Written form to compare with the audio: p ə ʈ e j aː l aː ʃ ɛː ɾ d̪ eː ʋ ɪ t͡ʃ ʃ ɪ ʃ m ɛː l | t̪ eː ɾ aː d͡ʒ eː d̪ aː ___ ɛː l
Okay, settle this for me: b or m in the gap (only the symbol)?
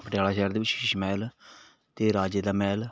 m